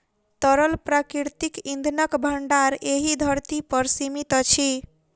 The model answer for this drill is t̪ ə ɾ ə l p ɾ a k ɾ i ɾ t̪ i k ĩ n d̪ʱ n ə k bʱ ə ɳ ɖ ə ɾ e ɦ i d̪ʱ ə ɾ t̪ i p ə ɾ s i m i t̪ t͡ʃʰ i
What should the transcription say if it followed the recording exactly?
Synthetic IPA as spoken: t̪ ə ɾ ə l p ɾ a k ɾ i ɾ t̪ i k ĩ n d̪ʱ n ə k bʱ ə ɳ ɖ a ɾ e ɦ i d̪ʱ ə ɾ t̪ i p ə ɾ s i m i t̪ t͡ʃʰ i

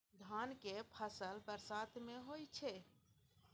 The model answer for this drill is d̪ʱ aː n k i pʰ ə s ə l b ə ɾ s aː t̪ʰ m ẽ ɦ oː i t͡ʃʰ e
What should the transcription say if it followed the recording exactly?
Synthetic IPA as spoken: d̪ʱ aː n k e pʰ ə s ə l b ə ɾ s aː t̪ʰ m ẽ ɦ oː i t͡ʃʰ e

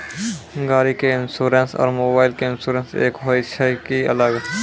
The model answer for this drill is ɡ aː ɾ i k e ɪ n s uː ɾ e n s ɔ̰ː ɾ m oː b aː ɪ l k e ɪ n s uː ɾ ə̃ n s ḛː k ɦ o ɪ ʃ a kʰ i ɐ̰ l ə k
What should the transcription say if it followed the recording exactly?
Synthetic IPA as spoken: ɡ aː ɾ i k e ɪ n s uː ɾ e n s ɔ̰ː ɾ m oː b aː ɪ l k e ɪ n s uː ɾ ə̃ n s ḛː k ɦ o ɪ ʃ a k i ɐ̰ l ə ɡ

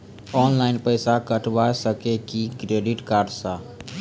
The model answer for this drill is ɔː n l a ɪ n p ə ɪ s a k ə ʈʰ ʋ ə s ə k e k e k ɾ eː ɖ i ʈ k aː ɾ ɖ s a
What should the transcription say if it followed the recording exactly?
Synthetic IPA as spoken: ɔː n l a ɪ n p ə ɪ s a k ə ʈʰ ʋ a s ə k e k i k ɾ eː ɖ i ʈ k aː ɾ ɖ s a

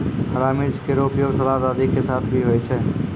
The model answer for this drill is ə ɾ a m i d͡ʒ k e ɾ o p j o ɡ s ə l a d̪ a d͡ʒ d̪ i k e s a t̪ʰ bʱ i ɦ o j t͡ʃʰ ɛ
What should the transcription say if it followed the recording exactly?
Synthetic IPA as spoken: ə ɾ a m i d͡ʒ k e ɾ o p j o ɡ s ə l a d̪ a d̪ i k e s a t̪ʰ bʱ i ɦ o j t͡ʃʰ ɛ

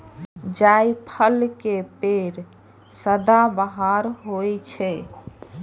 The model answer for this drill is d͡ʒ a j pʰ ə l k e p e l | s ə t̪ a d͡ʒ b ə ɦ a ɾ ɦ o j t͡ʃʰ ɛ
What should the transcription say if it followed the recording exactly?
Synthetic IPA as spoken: d͡ʒ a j pʰ ə l k e p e ɾ | s ə d̪ a b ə ɦ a ɾ ɦ o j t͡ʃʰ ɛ

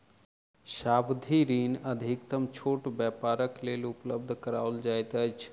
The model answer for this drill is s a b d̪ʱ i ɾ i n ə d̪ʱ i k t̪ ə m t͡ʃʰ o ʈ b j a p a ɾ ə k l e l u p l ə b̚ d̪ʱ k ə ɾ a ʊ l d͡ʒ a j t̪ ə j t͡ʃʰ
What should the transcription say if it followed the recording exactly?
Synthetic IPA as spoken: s a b d̪ʱ i ɾ i n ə d̪ʱ i k t̪ ə m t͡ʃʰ o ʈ b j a p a ɾ ə k l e l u p l ə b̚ d̪ʱ k ə ɾ a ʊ l d͡ʒ a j t̪ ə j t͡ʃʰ

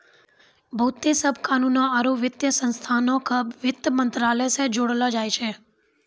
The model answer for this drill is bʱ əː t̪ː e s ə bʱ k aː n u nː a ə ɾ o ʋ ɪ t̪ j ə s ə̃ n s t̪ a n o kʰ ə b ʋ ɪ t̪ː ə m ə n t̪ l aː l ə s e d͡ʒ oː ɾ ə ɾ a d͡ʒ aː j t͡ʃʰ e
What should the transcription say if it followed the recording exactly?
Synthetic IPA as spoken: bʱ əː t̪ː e s ə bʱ k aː n u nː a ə ɾ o ʋ ɪ t̪ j ə s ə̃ n s t̪ʰ a n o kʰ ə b ʋ ɪ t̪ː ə m ə n t̪ ɾ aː l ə s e d͡ʒ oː ɽ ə l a d͡ʒ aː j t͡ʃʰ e

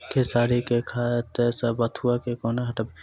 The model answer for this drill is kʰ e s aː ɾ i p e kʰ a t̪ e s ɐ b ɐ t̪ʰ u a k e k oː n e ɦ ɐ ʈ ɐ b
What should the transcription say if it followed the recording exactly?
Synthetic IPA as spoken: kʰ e s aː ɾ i k e kʰ a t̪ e s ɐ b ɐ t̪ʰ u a k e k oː n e ɦ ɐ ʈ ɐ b

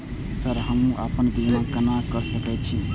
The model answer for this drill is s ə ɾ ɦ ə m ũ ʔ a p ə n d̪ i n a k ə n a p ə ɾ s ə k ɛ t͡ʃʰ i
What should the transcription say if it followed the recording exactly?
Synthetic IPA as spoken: s ə ɾ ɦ ə m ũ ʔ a p ə n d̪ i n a k ə n a k ə ɾ s ə k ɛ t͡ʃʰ i

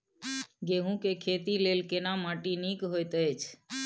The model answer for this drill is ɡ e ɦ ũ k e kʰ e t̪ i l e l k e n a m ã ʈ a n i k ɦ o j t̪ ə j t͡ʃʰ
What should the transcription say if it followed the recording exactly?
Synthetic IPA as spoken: ɡ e ɦ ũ k e kʰ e t̪ i l e l k e n a m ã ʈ i n i k ɦ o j t̪ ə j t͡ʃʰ

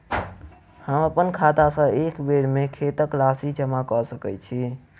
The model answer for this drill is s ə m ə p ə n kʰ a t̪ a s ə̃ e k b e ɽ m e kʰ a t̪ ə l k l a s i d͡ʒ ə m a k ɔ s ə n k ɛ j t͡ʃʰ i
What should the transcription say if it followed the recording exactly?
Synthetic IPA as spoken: h ə m ə p ə n kʰ a t̪ a s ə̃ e k b e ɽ m e kʰ e t̪ ə k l a s i d͡ʒ ə m a k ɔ s ə k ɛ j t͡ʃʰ i

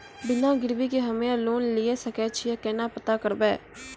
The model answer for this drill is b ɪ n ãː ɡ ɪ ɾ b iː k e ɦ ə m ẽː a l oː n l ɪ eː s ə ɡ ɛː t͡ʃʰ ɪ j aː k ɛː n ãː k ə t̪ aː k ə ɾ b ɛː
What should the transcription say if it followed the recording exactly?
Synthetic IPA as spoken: b ɪ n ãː ɡ ɪ ɾ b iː k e ɦ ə m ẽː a l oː n l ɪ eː s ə k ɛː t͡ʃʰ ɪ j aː k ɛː n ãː p ə t̪ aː k ə ɾ b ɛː

